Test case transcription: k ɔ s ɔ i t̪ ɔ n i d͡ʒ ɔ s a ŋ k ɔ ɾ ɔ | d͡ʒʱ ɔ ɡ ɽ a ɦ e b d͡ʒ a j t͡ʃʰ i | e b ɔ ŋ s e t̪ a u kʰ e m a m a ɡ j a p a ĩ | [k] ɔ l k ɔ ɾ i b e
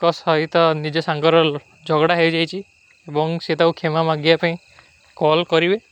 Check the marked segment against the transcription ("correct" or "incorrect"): correct